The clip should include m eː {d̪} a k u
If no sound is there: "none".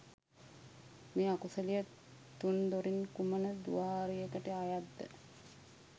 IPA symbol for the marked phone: none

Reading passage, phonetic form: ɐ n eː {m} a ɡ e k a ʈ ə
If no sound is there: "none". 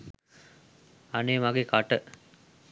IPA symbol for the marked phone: m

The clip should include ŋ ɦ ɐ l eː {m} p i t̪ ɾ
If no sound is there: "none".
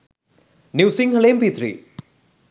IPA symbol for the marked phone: m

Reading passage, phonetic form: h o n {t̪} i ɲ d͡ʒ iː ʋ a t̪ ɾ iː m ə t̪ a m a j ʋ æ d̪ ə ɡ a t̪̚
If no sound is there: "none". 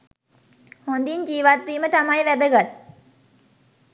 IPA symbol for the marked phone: d̪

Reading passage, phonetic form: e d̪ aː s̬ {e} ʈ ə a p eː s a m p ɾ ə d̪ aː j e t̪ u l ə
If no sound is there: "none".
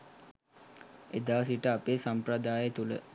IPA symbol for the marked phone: i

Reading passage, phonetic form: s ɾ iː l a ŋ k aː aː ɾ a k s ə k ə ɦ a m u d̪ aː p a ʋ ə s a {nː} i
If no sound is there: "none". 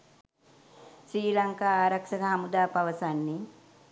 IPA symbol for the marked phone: nː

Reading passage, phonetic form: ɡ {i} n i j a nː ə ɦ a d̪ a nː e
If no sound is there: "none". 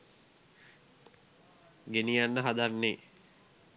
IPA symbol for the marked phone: e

